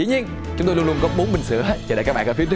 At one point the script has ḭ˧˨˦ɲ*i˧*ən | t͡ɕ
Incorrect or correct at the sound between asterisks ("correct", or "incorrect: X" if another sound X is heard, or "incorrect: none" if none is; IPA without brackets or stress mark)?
correct